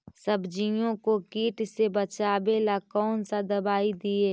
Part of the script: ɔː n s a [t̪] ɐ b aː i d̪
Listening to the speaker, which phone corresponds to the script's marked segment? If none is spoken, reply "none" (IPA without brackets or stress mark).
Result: d̪